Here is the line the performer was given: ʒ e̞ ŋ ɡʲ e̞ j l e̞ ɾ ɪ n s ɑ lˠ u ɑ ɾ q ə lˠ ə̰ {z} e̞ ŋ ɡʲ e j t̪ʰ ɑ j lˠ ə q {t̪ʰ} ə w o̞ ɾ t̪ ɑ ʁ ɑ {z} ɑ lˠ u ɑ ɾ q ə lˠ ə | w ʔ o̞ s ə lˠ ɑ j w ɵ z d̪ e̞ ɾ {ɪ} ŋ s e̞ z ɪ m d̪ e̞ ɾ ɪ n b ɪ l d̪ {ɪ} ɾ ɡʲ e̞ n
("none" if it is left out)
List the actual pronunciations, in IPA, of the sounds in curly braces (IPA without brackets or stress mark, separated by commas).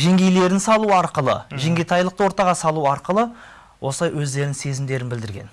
ʒ, t̪, s, ɪ, ɪ